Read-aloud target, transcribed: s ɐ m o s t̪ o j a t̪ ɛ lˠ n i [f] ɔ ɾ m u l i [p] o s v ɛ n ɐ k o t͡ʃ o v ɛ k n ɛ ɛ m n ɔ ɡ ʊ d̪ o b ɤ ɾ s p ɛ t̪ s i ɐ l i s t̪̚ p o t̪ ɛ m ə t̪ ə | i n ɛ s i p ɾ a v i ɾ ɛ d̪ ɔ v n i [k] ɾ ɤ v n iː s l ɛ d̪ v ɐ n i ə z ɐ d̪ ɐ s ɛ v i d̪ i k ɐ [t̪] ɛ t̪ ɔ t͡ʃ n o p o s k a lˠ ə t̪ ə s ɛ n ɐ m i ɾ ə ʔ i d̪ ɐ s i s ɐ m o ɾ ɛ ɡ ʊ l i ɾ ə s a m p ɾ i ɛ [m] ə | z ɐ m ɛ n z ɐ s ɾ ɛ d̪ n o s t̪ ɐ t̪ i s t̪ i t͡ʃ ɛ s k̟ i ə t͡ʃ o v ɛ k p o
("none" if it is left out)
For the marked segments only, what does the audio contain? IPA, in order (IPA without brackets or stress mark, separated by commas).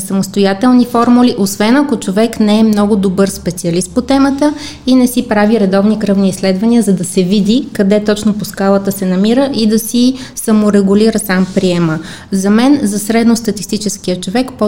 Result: f, ʔ, k, d̪, m